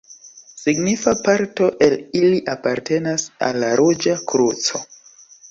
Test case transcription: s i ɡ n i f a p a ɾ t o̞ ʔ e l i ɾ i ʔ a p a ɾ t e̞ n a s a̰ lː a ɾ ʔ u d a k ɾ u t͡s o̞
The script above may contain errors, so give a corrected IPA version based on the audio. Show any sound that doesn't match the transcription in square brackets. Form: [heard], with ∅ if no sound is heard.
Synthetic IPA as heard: s i ɡ n i f a p a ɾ t o̞ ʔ e l i [l] i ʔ a p a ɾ t e̞ n a s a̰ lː a ɾ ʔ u [d͡ʒ] a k ɾ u t͡s o̞

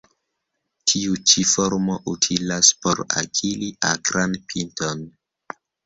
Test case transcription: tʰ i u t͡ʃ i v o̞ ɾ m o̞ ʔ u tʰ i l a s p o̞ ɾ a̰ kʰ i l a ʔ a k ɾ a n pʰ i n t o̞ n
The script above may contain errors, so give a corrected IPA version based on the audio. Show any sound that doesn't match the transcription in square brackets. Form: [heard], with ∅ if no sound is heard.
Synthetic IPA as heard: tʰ i u t͡ʃ i [f] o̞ ɾ m o̞ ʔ u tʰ i l a s p o̞ ɾ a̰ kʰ i l [i] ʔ a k ɾ a n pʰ i n t o̞ n

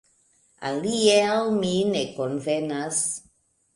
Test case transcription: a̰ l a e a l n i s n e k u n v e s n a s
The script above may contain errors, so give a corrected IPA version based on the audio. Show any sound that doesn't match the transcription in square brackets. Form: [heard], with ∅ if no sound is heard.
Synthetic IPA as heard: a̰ l [i] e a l [m] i [∅] n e k [o] n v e [∅] n a s

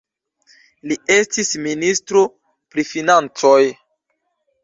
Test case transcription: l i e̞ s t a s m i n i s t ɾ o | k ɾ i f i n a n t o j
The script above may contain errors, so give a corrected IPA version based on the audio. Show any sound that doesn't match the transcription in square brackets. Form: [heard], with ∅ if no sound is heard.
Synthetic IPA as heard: l i e̞ s t [i] s m i n i s t ɾ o | [p] ɾ i f i n a n [t͡s] o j

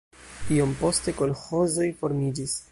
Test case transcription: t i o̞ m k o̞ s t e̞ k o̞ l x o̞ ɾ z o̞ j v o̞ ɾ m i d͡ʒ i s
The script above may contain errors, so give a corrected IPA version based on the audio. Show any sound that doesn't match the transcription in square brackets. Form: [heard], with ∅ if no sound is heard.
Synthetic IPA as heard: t i o̞ m [p] o̞ s t e̞ k o̞ l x o̞ [∅] z o̞ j [f] o̞ ɾ m i d͡ʒ i s

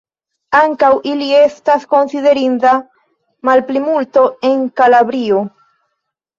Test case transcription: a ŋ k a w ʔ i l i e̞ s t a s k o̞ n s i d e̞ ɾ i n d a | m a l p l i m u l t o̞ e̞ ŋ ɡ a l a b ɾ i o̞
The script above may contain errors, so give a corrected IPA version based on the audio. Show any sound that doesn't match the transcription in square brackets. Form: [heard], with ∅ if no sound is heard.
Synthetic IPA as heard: a ŋ k a w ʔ i l i e̞ s t a s k o̞ n s i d e̞ ɾ i n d a | m a l p l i m u l t o̞ e̞ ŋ [k] a l a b ɾ i o̞

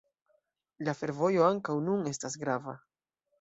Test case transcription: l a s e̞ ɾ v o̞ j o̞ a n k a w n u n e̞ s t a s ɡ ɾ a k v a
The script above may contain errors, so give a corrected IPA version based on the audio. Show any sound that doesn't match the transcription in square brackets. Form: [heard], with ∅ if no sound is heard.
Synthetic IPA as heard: l a [f] e̞ ɾ v o̞ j o̞ a [ŋ] k a w n u n e̞ s t a s ɡ ɾ a [∅] v a

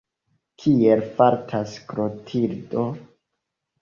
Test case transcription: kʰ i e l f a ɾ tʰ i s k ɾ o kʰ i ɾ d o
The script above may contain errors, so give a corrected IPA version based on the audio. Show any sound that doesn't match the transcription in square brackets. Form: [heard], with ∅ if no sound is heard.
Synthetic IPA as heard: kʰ i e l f a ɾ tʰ [a] s k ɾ o [tʰ] i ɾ d o

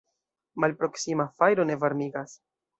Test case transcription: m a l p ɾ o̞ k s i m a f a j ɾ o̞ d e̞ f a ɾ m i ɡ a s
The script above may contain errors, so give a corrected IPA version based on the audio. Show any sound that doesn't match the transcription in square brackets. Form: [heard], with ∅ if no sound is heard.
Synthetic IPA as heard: m a l p ɾ o̞ k s i m a f a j ɾ o̞ [n] e̞ [v] a ɾ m i ɡ a s

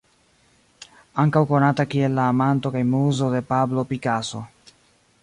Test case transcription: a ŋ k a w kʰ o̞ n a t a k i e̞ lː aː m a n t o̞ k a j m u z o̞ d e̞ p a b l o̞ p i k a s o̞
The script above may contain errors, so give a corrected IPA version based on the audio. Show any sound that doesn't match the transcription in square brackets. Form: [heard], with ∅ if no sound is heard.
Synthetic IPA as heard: a ŋ k a w [k] o̞ n a t a k i e̞ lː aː m a n t o̞ k a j m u z o̞ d e̞ p a b l o̞ p i k a s o̞

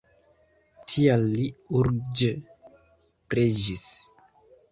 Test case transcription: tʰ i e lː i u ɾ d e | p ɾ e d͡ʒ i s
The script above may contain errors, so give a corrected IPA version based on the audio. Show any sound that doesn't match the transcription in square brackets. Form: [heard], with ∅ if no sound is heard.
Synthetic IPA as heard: tʰ i [a] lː i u ɾ [d͡ʒ] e | p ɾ e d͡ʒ i s

